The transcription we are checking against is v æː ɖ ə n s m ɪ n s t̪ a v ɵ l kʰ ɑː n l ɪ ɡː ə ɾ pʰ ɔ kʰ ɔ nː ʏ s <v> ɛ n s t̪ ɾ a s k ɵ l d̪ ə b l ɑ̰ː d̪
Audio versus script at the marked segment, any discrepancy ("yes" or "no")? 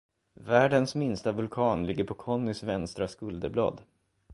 no